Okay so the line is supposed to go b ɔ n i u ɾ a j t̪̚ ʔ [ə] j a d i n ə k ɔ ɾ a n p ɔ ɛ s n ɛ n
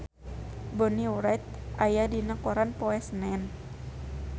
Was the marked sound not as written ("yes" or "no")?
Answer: yes